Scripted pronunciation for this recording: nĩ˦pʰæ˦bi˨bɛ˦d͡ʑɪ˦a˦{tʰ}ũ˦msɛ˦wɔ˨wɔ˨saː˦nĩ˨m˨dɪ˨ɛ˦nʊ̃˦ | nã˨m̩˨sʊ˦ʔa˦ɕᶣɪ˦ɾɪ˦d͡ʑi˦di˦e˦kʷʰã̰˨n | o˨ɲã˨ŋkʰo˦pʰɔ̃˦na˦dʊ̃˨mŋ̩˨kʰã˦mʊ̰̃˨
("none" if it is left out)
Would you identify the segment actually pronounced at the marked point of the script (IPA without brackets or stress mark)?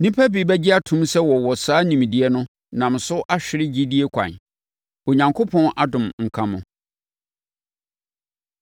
tʰ